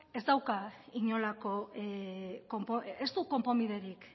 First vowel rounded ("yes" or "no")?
no